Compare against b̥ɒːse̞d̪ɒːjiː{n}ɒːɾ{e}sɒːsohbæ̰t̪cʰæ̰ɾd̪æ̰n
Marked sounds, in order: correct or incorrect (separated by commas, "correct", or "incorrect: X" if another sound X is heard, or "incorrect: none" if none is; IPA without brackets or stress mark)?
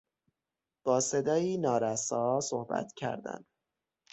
correct, incorrect: æ